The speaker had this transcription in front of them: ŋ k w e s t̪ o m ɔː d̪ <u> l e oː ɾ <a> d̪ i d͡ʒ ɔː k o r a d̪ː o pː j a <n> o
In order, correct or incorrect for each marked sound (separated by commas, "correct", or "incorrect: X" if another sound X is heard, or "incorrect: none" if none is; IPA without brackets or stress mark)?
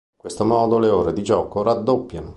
incorrect: o, incorrect: e, correct